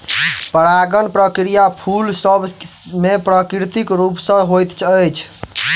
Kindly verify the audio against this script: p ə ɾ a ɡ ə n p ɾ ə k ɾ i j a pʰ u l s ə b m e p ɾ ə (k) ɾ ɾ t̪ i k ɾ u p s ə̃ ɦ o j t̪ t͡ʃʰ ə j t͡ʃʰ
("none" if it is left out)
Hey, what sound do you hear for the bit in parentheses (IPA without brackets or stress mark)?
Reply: k